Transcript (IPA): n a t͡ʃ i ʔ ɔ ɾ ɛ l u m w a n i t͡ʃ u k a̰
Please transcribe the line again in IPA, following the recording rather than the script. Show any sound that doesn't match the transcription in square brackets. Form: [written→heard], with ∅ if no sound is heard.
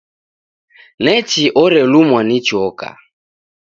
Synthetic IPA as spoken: n [a→ɛ] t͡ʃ i ʔ ɔ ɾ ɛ l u m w a n i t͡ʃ [u→ɔ] k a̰